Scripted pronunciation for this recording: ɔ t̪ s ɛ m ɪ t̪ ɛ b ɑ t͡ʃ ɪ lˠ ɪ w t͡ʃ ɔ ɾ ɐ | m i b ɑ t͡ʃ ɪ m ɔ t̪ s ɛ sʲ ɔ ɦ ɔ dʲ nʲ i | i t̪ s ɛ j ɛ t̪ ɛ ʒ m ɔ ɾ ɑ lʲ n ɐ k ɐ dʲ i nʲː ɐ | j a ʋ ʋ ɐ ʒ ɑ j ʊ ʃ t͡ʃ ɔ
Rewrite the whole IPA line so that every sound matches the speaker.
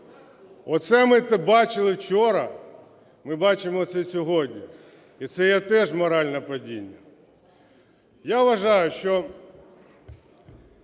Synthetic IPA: ɔ t̪ s ɛ m ɪ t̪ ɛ b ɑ t͡ʃ ɪ lˠ ɪ w t͡ʃ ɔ ɾ ɐ | m ɪ b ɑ t͡ʃ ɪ m ɔ t̪ s ɛ sʲ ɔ ɦ ɔ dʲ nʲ i | i t̪ s ɛ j ɛ t̪ ɛ ʒ m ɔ ɾ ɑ lʲ n ɐ p ɐ dʲ i nʲː ɐ | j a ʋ ʋ ɐ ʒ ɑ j ʊ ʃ t͡ʃ ɔ